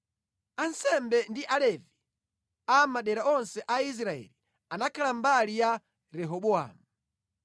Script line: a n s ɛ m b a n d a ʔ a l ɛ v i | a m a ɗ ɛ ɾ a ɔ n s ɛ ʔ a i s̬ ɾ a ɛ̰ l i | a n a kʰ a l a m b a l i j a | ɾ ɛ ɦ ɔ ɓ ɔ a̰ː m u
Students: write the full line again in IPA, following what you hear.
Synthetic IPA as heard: a n s ɛ m b ɛ n d i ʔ a l ɛ v i | a m a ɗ ɛ ɾ a ɔ n s ɛ ʔ a i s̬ ɾ a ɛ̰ l i | a n a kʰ a l a m b a l i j a | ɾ ɛ ɦ ɔ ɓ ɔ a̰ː m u